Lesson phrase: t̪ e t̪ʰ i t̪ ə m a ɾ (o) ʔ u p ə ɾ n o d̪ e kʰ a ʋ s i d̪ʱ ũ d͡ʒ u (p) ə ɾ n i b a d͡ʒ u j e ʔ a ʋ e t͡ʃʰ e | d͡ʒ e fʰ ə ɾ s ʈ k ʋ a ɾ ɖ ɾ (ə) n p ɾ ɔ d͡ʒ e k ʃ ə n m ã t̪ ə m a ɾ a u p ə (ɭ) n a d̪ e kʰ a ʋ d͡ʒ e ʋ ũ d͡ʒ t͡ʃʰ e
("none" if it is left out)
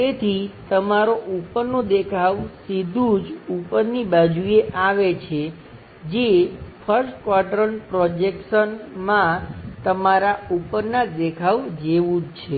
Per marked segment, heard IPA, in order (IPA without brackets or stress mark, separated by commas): o, p, ə, ɾ